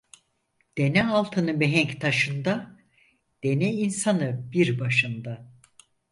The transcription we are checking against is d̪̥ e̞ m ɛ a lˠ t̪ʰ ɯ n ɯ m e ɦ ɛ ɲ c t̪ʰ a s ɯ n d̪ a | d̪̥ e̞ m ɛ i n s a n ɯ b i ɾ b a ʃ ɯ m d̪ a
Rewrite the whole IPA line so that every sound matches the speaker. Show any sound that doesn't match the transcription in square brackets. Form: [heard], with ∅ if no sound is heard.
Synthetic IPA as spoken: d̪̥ e̞ [n] ɛ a lˠ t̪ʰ ɯ n ɯ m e ɦ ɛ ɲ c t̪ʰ a [ʃ] ɯ n d̪ a | d̪̥ e̞ [n] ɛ i n s a n ɯ b i ɾ b a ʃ ɯ [n] d̪ a

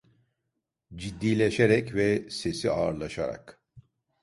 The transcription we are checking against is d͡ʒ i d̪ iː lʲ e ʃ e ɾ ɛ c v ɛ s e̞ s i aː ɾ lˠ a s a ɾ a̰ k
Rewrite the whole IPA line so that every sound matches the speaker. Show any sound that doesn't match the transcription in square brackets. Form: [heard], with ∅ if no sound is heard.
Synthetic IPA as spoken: d͡ʒ i [d̪ː] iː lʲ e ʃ e ɾ ɛ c v ɛ s e̞ s i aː ɾ lˠ a [ʃ] a ɾ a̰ k

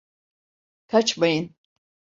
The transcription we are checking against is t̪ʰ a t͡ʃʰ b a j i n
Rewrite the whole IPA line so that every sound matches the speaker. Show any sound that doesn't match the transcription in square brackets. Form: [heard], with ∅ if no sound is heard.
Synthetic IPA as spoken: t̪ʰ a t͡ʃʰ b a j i n

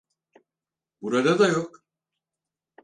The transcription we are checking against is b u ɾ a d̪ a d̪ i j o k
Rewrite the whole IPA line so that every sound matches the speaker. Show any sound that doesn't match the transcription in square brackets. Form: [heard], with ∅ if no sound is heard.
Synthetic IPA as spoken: b u ɾ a d̪ a d̪ [a] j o k

